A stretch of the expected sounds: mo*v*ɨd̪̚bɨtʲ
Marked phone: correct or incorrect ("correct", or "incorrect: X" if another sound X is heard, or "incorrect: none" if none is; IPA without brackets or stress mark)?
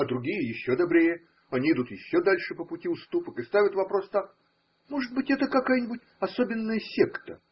incorrect: ʐ